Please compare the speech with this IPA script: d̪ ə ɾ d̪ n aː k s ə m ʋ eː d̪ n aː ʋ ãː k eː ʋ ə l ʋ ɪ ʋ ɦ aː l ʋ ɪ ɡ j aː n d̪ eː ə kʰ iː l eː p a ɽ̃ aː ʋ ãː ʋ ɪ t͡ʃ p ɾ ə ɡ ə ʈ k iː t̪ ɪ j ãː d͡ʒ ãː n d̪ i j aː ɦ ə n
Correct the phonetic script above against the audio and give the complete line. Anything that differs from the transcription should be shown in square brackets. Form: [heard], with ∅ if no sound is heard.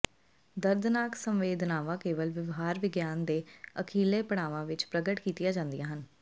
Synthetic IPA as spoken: d̪ ə ɾ d̪ n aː k s ə m ʋ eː d̪ n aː ʋ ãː k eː ʋ ə l ʋ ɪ ʋ ɦ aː [ɾ] ʋ ɪ ɡ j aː n d̪ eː ə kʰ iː l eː p [ə] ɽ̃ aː ʋ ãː ʋ ɪ t͡ʃ p ɾ ə ɡ ə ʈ k iː t̪ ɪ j [aː] d͡ʒ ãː n d̪ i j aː ɦ ə n